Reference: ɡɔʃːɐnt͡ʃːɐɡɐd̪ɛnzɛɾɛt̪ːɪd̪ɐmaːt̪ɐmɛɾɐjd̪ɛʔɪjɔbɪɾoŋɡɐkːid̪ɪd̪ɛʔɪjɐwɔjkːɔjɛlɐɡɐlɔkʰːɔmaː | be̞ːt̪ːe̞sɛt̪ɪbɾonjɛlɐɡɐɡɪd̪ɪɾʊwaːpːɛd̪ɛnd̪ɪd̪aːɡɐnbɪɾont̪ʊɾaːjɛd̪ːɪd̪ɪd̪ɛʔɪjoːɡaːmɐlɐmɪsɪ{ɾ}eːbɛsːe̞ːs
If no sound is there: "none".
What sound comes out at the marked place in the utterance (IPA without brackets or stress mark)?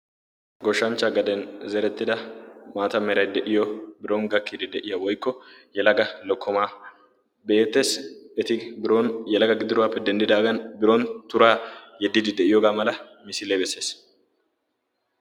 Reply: l